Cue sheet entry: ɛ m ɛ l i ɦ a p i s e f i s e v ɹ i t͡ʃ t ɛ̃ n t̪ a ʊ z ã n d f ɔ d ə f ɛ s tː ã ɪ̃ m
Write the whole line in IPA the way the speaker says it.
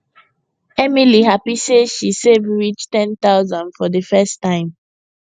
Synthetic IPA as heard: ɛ m i l i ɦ a p i s e ʃ i s e v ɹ i t͡ʃ t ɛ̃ n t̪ a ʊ z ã n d f ɔ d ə f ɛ s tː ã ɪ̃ m